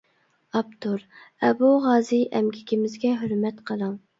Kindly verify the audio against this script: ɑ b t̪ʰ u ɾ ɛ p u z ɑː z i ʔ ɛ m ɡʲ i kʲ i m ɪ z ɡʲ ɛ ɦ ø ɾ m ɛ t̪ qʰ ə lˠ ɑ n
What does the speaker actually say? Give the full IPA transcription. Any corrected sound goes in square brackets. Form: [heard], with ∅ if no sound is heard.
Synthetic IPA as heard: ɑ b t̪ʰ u ɾ ɛ [b] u [ʁ] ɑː z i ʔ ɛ m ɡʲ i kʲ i m ɪ z ɡʲ ɛ ɦ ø ɾ m ɛ t̪ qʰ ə lˠ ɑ [ŋ]